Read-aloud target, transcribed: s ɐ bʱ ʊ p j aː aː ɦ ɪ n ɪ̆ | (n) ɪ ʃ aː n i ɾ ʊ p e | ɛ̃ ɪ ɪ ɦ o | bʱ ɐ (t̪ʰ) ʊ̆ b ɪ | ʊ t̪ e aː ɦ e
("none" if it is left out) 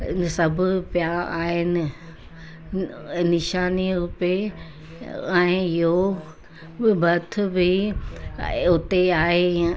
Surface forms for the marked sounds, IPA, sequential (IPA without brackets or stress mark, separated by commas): n, t̪ʰ